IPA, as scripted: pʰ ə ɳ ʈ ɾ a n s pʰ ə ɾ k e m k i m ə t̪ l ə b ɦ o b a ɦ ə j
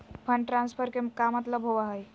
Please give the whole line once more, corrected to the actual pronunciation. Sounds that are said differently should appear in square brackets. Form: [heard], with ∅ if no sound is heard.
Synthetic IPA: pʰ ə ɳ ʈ ɾ a n s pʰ ə ɾ k e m k [a] m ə t̪ l ə b ɦ o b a ɦ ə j